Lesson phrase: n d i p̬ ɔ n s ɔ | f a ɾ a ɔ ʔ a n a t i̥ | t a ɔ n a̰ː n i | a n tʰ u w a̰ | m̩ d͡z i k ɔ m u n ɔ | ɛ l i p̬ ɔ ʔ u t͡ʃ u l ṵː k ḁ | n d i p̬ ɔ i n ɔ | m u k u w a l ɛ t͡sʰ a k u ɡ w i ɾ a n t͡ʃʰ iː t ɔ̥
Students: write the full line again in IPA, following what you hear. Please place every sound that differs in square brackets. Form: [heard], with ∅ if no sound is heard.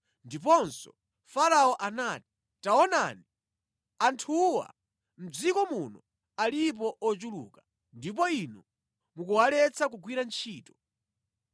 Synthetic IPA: n d i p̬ ɔ n s ɔ | f a ɾ a ɔ ʔ a n a t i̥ | t a ɔ n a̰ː n i | a n tʰ u w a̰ | m̩ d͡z i k ɔ m u n ɔ | [a] l i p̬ ɔ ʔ [ɔ] t͡ʃ u l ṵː k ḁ | n d i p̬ ɔ i n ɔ | m u k u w a l ɛ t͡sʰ a k u ɡ w i ɾ a n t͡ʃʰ iː t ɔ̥

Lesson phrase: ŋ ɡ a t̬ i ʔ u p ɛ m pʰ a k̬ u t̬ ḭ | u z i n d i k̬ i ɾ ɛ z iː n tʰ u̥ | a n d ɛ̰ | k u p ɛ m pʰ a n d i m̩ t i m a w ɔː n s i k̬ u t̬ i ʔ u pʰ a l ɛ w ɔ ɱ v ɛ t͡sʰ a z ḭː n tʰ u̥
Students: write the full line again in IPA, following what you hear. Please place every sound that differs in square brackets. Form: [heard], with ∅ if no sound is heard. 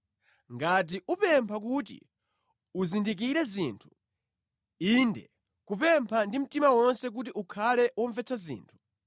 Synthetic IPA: ŋ ɡ a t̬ i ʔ u p ɛ m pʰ a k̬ u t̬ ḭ | u z i n d i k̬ i ɾ ɛ z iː n tʰ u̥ | [i] n d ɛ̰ | k u p ɛ m pʰ a n d i m̩ t i m a w [ɔ] n s [ɛ] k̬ u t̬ i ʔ u [kʰ] a l ɛ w ɔ ɱ v ɛ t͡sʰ a z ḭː n tʰ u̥

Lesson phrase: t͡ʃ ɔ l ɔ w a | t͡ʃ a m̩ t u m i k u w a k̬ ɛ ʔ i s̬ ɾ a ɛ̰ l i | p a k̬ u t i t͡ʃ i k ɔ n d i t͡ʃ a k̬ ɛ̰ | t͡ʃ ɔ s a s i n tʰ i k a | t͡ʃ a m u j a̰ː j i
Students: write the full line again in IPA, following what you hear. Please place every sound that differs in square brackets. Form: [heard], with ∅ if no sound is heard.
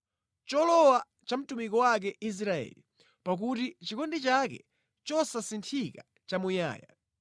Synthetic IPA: t͡ʃ ɔ l ɔ w a | t͡ʃ a m̩ t u m i k [ɔ] w a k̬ ɛ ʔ i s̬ ɾ a ɛ̰ l i | p a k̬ u t i t͡ʃ i k ɔ n d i t͡ʃ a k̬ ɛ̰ | t͡ʃ ɔ s a s i n tʰ i k a | t͡ʃ a m u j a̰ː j [a]

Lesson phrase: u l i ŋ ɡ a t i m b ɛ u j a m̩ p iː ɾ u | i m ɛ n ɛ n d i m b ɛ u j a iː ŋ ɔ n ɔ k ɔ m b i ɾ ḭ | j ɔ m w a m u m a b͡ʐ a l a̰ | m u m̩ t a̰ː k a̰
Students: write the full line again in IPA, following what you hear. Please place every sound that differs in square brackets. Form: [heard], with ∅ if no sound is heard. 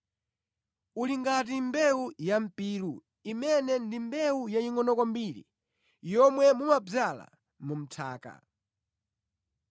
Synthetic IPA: u l i ŋ ɡ a t i m b ɛ u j a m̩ p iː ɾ u | i m ɛ n ɛ n d i m b ɛ u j a [i] ŋ ɔ n ɔ k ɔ m b i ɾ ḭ | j ɔ m w [ɛ] m u m a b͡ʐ a l a̰ | m u m̩ [tʰ] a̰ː k a̰

